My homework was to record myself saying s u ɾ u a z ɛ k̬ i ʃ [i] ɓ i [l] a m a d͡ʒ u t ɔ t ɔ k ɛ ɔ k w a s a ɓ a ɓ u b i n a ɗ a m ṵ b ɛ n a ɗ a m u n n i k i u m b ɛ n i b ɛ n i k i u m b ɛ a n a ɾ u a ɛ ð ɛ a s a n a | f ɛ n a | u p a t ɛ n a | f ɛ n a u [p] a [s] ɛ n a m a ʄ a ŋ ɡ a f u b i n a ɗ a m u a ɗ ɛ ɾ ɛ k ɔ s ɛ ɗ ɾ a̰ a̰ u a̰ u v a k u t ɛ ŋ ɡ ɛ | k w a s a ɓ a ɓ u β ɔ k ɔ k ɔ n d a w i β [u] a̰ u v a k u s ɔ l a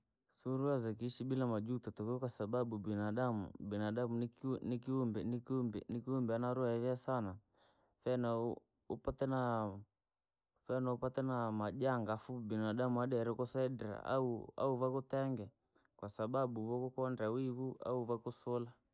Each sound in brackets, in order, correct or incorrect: correct, correct, correct, incorrect: t, correct

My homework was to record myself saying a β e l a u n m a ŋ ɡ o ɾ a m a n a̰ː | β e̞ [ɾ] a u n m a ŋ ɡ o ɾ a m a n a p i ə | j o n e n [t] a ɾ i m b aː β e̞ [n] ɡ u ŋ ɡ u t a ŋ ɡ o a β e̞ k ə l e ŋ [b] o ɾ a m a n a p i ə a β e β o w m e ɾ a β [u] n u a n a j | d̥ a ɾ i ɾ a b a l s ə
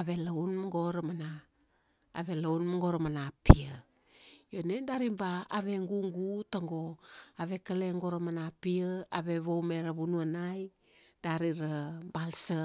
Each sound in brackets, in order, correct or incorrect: incorrect: l, incorrect: d, incorrect: ŋ, incorrect: ɡ, correct

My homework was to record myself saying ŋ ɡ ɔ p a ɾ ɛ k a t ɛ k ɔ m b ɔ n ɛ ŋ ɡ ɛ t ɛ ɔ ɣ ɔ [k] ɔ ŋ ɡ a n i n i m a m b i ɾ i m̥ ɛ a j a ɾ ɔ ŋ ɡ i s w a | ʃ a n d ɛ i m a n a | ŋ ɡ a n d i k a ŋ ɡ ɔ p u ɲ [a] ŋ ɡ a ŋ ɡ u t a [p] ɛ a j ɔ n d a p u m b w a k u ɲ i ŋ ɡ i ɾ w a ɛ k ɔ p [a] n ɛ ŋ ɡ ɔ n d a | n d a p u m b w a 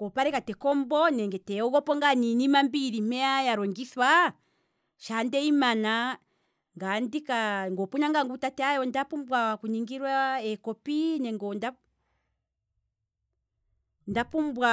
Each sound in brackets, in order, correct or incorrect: incorrect: p, correct, incorrect: t, incorrect: i

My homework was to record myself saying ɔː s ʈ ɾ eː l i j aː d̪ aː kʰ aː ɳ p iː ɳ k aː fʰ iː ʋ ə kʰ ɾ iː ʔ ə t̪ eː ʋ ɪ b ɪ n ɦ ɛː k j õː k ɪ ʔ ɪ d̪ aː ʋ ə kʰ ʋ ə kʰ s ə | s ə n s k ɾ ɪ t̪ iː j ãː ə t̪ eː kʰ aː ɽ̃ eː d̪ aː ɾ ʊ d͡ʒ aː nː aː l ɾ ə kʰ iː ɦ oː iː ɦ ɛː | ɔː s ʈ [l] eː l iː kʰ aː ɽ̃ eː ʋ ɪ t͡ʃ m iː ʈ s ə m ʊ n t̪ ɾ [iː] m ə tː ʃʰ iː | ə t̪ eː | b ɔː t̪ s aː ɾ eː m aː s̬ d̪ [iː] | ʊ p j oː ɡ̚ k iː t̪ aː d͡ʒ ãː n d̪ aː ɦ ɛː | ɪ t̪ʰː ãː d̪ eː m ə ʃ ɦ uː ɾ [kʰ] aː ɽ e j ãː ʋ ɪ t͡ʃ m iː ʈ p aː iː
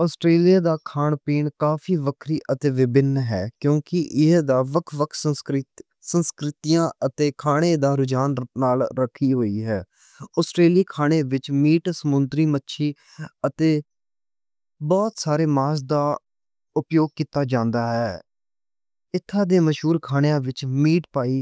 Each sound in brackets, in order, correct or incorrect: incorrect: ɾ, correct, incorrect: aː, correct

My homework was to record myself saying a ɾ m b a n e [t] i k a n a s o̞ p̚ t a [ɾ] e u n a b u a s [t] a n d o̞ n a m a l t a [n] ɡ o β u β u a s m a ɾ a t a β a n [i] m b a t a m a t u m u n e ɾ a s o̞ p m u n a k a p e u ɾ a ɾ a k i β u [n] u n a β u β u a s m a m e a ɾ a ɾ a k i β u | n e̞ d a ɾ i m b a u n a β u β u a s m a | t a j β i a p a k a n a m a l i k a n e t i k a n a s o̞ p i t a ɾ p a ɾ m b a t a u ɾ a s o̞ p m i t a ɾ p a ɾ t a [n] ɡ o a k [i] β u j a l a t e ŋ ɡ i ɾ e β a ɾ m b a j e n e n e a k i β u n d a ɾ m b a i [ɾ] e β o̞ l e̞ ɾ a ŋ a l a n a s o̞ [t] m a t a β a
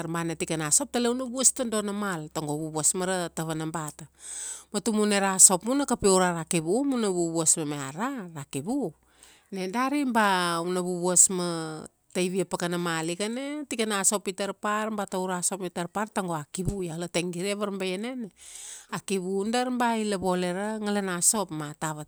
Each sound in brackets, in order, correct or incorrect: correct, incorrect: l, correct, incorrect: ŋ, incorrect: a, incorrect: m, incorrect: ŋ, correct, incorrect: l, incorrect: p

